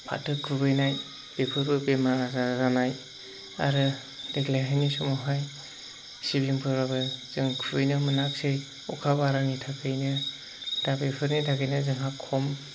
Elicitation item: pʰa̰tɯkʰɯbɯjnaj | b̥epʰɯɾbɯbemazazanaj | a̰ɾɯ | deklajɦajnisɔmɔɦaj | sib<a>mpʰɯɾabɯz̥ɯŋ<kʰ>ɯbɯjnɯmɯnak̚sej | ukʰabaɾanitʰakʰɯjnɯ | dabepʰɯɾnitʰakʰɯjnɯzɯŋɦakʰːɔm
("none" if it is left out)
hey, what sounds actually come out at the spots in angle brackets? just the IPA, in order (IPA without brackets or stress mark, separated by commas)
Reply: i, kʰ